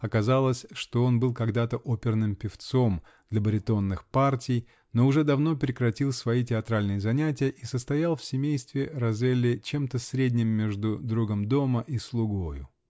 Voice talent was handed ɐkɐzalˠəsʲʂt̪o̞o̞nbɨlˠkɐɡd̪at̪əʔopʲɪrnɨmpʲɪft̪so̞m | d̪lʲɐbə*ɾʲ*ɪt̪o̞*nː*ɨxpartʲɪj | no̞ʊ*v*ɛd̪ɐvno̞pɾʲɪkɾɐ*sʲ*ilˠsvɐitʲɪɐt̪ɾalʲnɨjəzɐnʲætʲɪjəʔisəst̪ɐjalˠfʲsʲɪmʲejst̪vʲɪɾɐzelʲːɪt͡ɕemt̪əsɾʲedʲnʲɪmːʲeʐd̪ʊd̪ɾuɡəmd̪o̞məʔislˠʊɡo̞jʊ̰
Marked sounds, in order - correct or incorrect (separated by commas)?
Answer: correct, correct, incorrect, incorrect